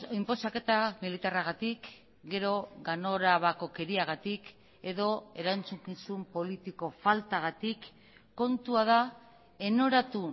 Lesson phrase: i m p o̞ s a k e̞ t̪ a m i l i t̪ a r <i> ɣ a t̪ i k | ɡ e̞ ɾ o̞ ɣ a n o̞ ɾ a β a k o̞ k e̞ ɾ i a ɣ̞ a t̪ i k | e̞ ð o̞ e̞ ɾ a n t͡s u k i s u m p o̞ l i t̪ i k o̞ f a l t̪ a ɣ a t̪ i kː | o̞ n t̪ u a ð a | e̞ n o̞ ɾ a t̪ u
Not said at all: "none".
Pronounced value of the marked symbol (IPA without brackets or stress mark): a